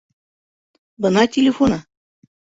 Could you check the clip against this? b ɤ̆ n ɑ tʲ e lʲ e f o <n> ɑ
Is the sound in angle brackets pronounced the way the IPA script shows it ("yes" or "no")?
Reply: yes